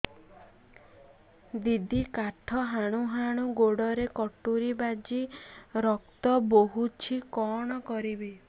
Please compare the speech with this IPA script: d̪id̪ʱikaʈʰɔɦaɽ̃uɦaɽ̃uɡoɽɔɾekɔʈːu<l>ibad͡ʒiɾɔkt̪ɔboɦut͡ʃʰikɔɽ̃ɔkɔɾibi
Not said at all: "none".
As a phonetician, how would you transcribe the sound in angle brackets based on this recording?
ɾ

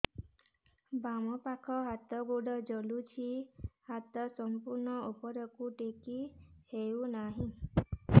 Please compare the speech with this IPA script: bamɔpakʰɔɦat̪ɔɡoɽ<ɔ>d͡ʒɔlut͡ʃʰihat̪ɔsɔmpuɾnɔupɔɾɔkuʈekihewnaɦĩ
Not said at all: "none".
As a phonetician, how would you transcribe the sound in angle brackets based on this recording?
ɔ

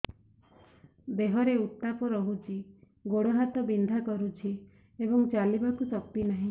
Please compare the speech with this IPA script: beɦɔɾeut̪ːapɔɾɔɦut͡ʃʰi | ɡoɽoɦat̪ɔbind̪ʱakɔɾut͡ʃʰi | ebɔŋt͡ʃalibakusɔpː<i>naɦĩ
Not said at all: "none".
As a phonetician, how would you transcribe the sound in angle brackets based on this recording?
i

